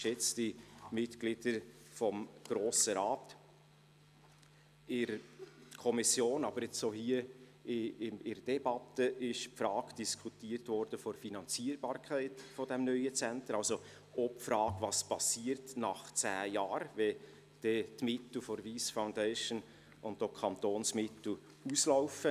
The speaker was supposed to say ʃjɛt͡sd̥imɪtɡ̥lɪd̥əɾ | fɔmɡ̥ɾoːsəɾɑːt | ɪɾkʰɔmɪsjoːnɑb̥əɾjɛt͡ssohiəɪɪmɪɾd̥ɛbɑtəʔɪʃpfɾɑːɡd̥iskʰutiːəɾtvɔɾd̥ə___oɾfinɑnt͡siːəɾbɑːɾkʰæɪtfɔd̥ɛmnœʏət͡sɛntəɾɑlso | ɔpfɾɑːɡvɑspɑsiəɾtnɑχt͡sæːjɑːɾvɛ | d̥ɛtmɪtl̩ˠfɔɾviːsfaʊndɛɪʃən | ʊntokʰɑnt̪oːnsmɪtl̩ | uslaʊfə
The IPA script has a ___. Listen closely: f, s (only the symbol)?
f